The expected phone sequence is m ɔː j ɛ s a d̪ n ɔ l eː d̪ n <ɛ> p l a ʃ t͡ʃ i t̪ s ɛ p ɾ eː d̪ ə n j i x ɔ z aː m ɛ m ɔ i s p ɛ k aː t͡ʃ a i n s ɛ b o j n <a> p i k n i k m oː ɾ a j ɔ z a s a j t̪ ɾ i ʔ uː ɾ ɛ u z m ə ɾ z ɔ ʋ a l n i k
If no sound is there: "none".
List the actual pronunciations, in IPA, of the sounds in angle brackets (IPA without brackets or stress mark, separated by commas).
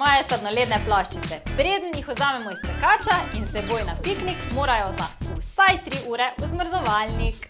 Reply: ɛ, a